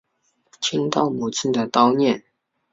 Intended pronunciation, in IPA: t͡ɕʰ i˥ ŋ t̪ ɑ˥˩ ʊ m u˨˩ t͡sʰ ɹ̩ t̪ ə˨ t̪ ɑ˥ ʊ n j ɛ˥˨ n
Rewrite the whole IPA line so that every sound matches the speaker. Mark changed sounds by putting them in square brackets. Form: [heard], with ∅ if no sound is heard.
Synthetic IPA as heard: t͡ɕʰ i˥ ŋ t̪ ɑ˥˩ ʊ m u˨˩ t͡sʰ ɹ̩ [d̪] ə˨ t̪ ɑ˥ ʊ n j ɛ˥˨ n